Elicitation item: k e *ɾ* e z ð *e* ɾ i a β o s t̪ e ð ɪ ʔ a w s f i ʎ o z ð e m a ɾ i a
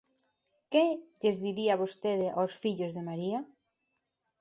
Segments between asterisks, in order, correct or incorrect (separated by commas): incorrect, incorrect